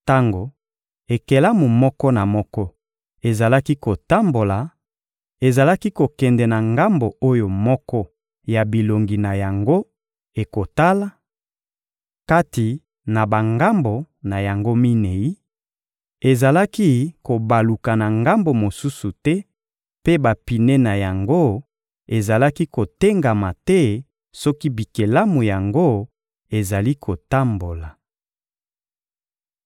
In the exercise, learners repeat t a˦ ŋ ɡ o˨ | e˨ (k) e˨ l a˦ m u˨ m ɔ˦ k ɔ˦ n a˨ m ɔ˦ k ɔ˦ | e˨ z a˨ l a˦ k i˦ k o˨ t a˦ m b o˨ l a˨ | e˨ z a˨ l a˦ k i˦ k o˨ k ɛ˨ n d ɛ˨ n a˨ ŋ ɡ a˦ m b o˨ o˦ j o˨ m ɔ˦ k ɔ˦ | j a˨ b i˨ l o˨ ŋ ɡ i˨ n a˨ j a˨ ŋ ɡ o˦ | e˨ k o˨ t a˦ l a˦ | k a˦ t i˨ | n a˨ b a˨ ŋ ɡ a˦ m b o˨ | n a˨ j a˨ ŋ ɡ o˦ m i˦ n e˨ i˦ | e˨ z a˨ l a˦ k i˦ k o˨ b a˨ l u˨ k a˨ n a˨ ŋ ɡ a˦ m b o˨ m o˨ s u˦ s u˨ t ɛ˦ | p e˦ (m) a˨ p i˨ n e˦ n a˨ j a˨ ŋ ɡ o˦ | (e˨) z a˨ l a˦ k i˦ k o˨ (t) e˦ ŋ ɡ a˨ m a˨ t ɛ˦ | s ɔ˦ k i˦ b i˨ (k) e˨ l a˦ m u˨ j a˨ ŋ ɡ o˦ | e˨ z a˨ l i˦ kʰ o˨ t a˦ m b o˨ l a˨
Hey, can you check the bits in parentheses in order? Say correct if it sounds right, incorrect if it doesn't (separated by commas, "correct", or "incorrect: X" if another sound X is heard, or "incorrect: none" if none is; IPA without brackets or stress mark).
correct, incorrect: b, correct, correct, correct